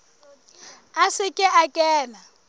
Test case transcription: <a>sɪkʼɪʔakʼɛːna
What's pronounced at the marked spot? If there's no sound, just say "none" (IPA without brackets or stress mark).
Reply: a